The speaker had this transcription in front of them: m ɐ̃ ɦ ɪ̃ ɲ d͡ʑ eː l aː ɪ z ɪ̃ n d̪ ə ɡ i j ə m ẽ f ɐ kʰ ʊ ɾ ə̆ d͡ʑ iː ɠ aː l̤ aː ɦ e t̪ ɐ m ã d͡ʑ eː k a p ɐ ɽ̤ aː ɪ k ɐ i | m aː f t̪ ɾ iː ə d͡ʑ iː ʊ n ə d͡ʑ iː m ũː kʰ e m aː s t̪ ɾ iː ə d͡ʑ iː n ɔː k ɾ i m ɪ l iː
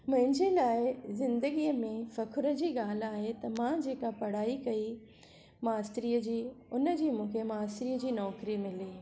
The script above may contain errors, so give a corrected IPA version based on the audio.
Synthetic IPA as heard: m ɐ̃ ɦ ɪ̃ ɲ d͡ʑ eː l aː ɪ z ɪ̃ n d̪ ə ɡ i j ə m ẽ f ɐ kʰ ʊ ɾ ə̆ d͡ʑ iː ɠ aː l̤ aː ɦ e t̪ ɐ m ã d͡ʑ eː k a p ɐ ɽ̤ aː i k ɐ i | m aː s t̪ ɾ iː ə d͡ʑ iː ʊ n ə d͡ʑ iː m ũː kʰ e m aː s t̪ ɾ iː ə d͡ʑ iː n ɔː k ɾ i m ɪ l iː